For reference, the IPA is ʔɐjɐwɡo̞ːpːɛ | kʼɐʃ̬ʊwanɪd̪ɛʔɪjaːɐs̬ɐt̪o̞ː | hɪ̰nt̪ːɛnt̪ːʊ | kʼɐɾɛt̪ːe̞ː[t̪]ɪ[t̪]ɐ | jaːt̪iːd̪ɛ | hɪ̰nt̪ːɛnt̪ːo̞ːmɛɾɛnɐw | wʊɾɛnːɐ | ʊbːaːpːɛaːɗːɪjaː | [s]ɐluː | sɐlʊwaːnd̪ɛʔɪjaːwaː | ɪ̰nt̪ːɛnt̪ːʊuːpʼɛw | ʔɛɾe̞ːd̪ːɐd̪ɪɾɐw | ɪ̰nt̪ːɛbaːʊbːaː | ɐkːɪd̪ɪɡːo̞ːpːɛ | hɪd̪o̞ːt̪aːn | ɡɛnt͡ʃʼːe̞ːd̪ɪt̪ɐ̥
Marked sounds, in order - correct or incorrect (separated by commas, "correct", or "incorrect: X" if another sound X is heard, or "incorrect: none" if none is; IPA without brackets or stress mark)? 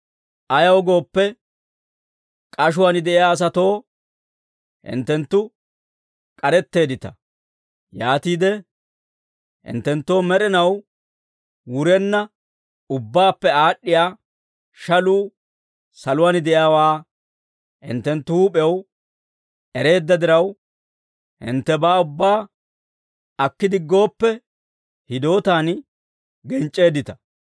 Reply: incorrect: d̪, correct, incorrect: ʃ